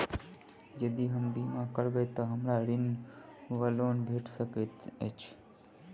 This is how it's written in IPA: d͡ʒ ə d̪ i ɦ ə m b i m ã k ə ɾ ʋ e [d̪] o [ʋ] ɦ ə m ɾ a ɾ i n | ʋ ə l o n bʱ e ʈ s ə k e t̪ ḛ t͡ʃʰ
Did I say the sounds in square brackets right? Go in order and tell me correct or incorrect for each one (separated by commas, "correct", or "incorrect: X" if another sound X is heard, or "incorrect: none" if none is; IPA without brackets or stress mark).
incorrect: t̪, incorrect: none